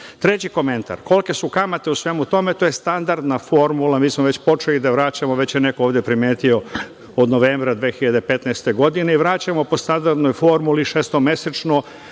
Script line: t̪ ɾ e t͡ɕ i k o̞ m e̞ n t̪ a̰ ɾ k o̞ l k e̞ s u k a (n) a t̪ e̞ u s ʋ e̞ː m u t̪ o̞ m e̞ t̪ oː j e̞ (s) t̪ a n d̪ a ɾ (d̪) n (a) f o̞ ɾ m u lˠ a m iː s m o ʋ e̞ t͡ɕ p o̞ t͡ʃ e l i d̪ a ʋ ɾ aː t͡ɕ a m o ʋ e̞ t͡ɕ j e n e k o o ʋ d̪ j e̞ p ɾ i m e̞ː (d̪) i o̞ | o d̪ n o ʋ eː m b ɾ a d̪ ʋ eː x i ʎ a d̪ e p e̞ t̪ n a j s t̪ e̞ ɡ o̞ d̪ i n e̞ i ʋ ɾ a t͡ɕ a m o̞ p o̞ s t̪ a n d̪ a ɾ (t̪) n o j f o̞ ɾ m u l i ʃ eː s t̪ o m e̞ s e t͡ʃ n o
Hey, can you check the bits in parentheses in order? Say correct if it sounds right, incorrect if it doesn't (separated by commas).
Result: incorrect, correct, correct, correct, incorrect, incorrect